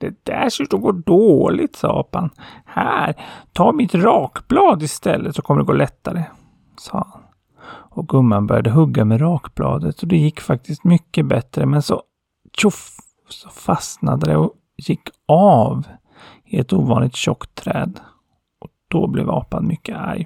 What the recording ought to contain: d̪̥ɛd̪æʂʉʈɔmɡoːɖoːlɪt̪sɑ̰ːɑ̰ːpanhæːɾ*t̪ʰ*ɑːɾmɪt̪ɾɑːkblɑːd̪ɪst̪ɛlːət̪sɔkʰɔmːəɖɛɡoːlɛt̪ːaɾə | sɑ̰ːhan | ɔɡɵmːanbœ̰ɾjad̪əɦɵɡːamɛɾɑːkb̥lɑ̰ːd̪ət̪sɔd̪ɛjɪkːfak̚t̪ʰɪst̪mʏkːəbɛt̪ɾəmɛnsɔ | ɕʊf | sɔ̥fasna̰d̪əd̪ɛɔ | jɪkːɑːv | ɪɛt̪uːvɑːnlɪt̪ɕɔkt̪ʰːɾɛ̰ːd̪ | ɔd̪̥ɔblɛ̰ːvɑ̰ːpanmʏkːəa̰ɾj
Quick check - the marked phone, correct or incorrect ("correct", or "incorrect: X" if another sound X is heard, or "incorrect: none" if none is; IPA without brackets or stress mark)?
correct